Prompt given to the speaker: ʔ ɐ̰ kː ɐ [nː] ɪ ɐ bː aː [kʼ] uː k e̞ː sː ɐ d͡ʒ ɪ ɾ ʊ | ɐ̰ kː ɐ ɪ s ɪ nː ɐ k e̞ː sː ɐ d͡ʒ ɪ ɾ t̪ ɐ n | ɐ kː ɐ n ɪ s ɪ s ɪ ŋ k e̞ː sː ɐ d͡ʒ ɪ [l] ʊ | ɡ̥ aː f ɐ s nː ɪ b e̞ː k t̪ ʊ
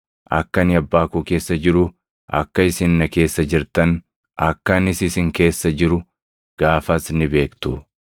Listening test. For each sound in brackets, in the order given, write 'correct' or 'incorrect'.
incorrect: n, incorrect: k, incorrect: ɾ

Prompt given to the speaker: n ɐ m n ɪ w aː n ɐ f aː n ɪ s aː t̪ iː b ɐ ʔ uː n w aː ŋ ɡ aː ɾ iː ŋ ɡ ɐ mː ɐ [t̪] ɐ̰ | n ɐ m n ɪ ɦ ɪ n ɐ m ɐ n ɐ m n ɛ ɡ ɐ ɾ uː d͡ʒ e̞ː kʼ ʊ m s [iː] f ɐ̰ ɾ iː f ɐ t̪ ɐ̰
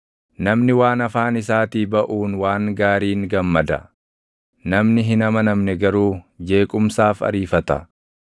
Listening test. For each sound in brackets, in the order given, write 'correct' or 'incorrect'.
incorrect: d̪, incorrect: aː

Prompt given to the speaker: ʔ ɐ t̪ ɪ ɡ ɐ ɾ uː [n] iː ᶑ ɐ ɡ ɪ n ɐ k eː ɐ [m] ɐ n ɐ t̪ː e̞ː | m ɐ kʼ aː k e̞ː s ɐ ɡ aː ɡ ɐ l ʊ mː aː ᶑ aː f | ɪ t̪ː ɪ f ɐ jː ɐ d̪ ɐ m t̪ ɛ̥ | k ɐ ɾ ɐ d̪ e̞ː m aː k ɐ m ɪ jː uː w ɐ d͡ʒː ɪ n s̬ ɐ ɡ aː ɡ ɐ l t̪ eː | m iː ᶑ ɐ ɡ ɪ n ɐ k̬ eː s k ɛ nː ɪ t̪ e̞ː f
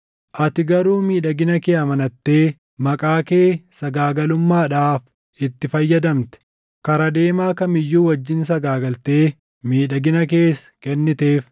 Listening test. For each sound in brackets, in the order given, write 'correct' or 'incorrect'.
incorrect: m, correct

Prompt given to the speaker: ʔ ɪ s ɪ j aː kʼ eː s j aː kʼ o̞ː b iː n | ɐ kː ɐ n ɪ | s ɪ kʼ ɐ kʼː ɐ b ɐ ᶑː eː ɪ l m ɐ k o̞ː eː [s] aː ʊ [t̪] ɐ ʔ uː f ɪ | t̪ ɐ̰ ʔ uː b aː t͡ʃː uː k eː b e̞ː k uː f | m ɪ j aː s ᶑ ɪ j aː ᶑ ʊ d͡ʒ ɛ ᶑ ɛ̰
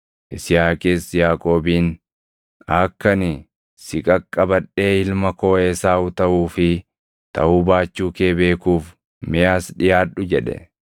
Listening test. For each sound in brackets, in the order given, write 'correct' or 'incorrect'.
correct, correct

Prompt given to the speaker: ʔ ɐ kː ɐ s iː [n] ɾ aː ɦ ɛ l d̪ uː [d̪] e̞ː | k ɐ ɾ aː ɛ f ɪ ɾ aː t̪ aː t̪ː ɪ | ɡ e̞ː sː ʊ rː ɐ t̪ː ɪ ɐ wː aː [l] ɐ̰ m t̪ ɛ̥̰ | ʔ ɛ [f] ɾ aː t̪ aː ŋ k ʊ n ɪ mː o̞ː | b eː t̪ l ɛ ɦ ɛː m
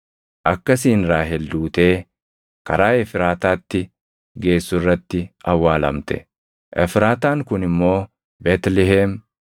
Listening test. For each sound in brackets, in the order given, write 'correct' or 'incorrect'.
correct, incorrect: t̪, correct, correct

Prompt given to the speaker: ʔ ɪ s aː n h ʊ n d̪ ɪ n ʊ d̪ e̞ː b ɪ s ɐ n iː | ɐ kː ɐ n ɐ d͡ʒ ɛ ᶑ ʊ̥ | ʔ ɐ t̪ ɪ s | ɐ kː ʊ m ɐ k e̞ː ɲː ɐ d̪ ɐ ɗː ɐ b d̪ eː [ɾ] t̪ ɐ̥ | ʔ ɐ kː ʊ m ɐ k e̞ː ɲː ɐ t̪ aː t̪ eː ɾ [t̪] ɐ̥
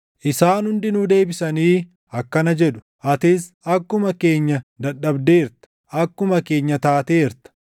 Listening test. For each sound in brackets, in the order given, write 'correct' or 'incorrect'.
correct, correct

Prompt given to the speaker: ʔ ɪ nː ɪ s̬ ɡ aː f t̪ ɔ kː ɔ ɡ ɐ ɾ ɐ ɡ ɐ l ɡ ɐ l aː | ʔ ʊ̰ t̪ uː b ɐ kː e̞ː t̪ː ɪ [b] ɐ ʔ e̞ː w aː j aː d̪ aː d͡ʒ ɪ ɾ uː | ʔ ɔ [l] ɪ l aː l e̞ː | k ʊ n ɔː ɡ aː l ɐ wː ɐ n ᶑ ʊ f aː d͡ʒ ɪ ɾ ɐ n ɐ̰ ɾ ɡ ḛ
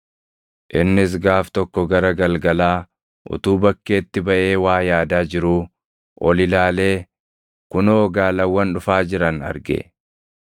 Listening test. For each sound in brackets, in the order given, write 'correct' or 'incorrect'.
correct, correct

